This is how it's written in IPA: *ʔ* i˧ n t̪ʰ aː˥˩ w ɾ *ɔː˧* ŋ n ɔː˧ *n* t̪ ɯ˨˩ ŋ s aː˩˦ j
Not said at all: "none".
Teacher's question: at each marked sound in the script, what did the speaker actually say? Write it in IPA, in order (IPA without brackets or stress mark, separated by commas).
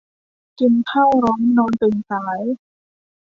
k, ɔː˦˥, n